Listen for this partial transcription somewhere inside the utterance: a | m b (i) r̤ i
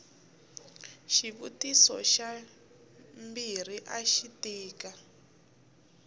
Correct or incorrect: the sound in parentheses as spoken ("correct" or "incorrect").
correct